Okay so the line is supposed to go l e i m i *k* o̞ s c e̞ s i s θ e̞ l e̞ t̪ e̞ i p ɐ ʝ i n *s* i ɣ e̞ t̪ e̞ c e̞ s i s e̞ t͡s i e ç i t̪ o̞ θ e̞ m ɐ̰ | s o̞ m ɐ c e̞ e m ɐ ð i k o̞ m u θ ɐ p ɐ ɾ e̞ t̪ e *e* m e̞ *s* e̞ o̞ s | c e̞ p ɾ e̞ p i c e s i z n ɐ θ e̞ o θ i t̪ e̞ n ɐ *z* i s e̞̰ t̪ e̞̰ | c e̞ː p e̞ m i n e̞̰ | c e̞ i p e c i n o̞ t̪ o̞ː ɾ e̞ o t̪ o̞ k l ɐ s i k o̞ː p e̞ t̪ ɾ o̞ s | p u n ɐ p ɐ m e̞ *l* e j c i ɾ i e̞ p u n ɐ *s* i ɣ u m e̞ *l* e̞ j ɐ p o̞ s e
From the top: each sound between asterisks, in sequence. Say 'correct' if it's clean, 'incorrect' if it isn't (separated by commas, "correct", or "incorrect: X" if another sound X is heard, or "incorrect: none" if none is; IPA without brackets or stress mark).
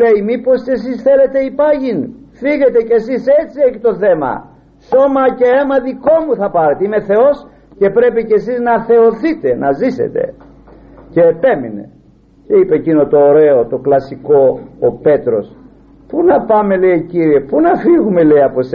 incorrect: p, incorrect: f, incorrect: i, incorrect: θ, correct, correct, incorrect: f, correct